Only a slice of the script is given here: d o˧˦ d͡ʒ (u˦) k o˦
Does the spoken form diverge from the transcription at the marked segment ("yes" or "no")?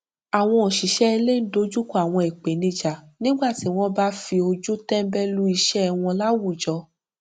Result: no